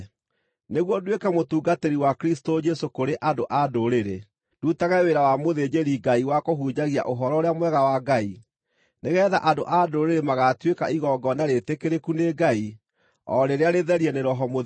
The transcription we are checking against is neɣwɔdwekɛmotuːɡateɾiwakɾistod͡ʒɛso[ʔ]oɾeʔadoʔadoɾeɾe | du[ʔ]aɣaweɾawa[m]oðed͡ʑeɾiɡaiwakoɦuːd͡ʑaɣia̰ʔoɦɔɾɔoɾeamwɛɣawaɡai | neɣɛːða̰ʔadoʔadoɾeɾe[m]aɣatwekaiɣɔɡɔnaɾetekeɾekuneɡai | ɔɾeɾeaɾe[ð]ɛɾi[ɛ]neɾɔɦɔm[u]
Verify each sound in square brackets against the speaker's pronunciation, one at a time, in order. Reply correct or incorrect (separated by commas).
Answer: incorrect, incorrect, correct, correct, correct, correct, incorrect